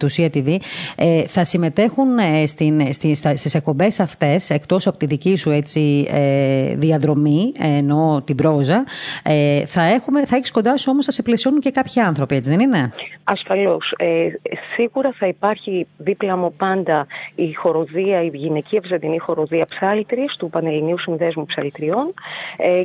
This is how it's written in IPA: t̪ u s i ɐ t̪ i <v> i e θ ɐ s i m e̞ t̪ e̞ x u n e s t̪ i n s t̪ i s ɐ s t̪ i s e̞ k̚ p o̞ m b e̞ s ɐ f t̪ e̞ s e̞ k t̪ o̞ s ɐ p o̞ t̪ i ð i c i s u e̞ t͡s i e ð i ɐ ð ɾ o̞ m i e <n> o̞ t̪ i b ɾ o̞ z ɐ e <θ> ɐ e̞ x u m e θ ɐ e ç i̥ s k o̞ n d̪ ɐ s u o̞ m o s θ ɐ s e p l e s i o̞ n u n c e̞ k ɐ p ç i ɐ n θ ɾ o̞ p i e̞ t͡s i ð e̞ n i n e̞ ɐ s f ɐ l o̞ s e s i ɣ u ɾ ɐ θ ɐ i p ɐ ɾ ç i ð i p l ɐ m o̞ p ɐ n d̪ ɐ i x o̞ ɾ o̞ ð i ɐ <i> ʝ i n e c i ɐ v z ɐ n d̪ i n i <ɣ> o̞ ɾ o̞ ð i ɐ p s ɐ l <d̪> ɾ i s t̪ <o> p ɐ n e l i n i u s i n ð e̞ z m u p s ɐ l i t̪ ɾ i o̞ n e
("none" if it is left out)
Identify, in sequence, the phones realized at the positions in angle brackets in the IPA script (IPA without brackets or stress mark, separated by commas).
v, n, θ, i, x, t̪, u